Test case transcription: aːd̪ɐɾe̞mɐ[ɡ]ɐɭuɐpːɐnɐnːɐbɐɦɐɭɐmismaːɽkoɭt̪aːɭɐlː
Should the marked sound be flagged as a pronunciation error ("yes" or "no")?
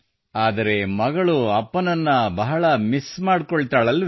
no